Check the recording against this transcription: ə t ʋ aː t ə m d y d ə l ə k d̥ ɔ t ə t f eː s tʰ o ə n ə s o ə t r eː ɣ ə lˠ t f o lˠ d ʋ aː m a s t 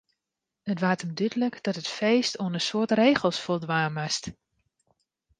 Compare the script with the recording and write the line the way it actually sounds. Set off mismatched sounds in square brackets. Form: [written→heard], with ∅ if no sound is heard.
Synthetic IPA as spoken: ə t ʋ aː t ə m d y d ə l ə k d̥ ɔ t ə t f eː s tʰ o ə n ə s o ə t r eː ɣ ə lˠ [t→s] f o lˠ d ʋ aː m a s t